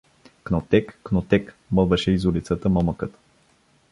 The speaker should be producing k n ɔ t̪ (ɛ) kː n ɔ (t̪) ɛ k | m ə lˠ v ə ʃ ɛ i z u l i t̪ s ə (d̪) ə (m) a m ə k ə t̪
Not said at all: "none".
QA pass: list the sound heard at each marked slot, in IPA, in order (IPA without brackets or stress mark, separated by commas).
ɛ, t̪, t̪, m